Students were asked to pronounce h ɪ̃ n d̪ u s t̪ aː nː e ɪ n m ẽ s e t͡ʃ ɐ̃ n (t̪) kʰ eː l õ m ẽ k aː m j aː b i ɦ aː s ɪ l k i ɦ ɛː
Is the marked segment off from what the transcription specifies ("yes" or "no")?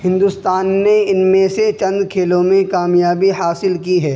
yes